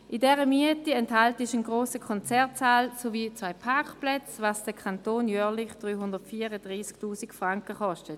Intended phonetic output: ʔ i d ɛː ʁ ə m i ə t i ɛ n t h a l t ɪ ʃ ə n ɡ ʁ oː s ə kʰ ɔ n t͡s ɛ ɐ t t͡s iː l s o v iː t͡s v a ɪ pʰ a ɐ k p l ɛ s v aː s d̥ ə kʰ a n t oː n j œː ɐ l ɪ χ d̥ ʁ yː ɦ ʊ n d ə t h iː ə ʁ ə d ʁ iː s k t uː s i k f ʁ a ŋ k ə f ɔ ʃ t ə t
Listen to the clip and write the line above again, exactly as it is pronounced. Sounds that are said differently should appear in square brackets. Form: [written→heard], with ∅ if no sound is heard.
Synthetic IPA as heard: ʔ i d ɛː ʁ ə m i ə t i ɛ n t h a l t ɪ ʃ ə n ɡ ʁ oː s ə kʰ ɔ n t͡s ɛ ɐ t t͡s [iː→aː] l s o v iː t͡s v a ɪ pʰ a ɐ k p l ɛ [s→t͡s] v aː s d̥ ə kʰ a n t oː n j œː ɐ l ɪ χ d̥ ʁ yː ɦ ʊ n d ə t [h→f] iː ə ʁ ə d ʁ iː s k t uː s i k f ʁ a ŋ k ə [f→χ] ɔ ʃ t ə t

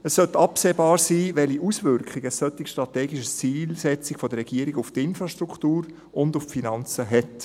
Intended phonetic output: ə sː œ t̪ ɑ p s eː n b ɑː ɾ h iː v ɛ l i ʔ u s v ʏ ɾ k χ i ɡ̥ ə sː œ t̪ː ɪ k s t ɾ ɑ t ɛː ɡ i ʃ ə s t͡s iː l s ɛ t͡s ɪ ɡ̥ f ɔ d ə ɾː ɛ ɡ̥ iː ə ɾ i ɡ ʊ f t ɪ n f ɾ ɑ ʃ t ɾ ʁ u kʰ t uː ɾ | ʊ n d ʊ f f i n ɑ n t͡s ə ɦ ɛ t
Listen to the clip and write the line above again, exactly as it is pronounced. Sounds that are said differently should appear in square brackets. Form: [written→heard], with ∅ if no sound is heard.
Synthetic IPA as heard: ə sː œ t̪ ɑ p s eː [n→∅] b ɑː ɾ [h→s] iː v ɛ l i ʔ u s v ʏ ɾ k χ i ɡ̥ ə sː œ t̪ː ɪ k [s→ʃ] t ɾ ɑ t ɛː ɡ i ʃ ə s t͡s iː l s ɛ t͡s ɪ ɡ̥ f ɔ d ə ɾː ɛ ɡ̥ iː ə ɾ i ɡ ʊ f t ɪ n f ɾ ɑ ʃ t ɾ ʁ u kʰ t uː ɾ | ʊ n d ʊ f f i n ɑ n t͡s ə ɦ ɛ t

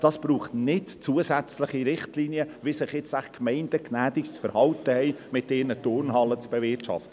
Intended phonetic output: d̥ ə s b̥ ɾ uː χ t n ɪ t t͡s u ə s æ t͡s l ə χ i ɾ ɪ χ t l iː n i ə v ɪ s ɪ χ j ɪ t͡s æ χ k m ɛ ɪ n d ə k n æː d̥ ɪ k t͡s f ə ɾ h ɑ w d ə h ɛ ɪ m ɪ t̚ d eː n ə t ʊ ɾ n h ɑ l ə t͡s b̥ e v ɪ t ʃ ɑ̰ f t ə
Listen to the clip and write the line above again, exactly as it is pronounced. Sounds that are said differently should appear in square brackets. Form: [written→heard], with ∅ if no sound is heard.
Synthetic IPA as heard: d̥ [ə→ɑ] s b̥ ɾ uː χ t n ɪ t t͡s u ə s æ t͡s l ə χ i ɾ ɪ χ t l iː n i ə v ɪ s ɪ χ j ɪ t͡s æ χ k m ɛ ɪ n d ə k n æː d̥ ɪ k t͡s f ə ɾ h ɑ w [d→t] ə h ɛ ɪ m ɪ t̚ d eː n ə t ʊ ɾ n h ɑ l ə t͡s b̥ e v ɪ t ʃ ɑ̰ f t ə

